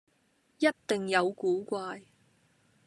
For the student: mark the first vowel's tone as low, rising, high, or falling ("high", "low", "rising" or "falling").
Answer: high